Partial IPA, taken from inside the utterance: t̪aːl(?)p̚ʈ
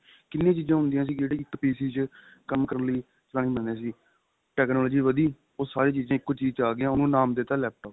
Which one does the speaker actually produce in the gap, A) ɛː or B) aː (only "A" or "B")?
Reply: A